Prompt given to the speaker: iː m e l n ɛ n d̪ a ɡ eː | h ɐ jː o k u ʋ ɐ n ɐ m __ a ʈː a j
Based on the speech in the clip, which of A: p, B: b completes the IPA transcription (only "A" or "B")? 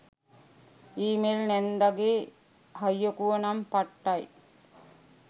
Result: A